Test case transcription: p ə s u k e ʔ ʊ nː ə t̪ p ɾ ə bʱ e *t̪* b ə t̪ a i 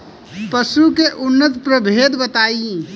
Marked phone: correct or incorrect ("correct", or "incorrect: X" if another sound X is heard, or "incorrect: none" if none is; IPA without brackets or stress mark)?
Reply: incorrect: d̪